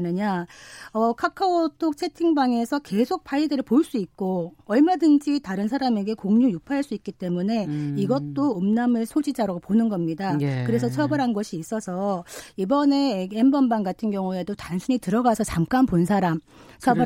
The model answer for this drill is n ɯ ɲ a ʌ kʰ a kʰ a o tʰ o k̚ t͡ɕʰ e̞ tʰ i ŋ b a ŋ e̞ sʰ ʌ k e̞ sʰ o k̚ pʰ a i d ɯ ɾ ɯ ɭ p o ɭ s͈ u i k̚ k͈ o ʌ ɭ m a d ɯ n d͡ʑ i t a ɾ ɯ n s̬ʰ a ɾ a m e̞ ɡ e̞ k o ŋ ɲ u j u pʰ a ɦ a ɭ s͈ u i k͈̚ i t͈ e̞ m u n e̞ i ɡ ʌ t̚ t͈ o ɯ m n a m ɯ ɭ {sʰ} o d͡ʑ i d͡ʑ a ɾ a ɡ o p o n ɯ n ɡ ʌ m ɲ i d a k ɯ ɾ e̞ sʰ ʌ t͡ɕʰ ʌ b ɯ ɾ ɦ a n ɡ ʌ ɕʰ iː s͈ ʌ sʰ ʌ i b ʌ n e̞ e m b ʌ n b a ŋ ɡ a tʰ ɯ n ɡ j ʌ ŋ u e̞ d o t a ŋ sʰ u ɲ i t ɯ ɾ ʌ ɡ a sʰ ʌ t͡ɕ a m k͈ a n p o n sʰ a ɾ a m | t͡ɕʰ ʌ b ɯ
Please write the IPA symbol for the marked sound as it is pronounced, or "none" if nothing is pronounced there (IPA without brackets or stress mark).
sʰ